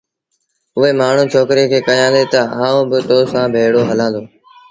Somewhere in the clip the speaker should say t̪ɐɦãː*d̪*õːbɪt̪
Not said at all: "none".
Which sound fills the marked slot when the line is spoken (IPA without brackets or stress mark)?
none